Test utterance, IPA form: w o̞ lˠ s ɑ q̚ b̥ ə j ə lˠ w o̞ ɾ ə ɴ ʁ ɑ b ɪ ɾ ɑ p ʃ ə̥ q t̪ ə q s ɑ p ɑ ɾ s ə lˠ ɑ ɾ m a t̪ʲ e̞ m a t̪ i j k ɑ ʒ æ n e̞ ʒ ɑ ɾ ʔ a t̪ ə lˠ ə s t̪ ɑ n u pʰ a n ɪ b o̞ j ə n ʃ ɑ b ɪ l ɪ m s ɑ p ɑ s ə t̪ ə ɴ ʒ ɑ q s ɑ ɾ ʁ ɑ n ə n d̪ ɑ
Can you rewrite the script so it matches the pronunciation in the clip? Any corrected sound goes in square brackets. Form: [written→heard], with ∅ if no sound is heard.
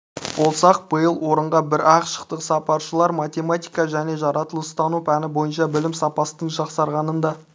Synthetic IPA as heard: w o̞ lˠ s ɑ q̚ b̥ ə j ə lˠ w o̞ ɾ ə ɴ ʁ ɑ b ɪ ɾ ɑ [p→q] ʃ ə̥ q t̪ ə q s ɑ p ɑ ɾ [s→ʃ] ə lˠ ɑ ɾ m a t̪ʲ e̞ m a t̪ i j k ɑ ʒ æ n e̞ ʒ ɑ ɾ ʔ [a→ɑ] t̪ ə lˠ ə s t̪ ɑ n u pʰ [a→æ] n ɪ b o̞ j ə n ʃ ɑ b ɪ l ɪ m s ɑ p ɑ s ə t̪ ə ɴ ʒ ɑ q s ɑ ɾ ʁ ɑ n ə n d̪ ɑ